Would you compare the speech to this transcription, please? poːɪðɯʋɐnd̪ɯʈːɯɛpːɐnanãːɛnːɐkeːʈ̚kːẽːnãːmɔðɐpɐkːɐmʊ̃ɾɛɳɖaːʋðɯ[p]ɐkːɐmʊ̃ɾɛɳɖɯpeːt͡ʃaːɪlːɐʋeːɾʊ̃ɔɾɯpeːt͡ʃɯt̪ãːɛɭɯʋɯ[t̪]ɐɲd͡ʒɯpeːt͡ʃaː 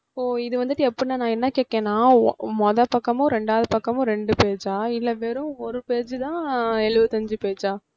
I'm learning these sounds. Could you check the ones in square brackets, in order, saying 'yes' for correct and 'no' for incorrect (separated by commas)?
yes, yes